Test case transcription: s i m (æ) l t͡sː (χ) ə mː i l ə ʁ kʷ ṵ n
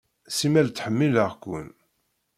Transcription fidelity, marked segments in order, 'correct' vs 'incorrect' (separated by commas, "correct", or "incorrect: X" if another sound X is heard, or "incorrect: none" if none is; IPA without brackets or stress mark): correct, incorrect: ħ